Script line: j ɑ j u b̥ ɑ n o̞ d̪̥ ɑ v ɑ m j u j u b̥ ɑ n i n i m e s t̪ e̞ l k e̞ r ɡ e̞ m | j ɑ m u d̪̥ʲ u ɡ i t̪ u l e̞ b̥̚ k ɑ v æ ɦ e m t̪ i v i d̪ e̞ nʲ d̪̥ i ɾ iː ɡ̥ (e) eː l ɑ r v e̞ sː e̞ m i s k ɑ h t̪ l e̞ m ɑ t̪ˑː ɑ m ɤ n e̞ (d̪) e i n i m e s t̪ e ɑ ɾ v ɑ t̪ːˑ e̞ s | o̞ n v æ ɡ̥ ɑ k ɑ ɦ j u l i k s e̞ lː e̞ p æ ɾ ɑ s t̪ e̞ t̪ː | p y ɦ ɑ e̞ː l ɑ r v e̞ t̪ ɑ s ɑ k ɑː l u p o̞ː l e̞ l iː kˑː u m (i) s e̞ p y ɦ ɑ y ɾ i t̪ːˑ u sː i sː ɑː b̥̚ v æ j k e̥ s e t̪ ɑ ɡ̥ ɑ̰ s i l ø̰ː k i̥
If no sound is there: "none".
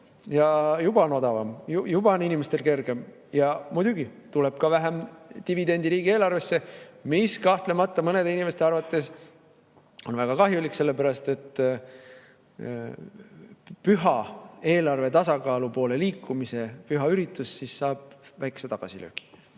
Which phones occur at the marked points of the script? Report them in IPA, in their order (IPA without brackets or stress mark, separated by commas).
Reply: i, d̪, i